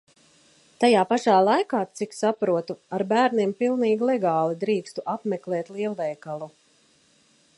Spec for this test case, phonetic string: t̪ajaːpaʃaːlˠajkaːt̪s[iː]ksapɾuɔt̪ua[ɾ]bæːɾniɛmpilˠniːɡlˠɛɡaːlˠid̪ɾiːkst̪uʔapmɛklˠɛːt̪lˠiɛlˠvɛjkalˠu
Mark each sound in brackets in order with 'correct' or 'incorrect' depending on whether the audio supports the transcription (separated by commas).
incorrect, correct